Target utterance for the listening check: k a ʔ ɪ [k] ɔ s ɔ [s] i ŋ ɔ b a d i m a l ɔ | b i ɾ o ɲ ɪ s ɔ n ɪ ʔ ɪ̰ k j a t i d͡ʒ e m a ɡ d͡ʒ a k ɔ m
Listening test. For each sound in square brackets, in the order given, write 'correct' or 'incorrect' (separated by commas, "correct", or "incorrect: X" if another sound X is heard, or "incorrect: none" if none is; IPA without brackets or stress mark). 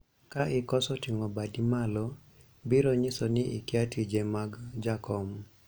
correct, incorrect: t